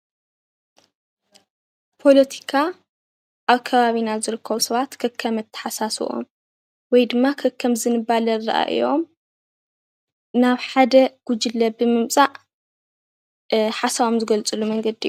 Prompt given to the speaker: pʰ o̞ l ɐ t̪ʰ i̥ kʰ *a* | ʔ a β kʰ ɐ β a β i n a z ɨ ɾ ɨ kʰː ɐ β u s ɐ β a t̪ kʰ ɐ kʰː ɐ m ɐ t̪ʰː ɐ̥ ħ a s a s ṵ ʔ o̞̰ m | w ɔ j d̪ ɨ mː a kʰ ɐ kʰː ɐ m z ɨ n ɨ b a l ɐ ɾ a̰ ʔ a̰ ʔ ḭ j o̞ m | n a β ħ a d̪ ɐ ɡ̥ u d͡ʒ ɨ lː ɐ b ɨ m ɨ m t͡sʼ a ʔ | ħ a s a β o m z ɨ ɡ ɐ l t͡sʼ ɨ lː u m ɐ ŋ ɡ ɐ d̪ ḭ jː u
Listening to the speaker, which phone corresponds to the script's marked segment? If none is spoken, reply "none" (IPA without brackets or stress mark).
a